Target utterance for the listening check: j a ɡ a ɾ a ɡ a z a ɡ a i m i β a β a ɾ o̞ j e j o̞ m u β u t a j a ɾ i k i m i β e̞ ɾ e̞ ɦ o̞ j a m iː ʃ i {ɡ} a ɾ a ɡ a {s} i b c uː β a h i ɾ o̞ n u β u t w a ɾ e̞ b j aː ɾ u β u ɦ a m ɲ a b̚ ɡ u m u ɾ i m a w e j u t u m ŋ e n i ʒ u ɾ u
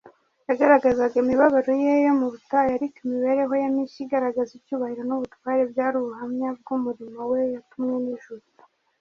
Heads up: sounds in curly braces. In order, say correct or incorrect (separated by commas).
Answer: correct, incorrect